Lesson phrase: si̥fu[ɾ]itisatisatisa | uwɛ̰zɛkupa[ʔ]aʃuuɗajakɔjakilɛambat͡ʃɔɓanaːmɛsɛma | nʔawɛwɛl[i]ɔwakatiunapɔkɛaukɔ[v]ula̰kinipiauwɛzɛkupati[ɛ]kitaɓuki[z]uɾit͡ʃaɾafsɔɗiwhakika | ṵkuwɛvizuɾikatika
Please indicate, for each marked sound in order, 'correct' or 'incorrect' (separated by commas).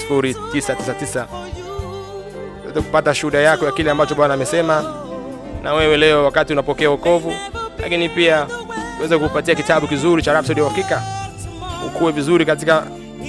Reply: correct, incorrect, incorrect, correct, incorrect, correct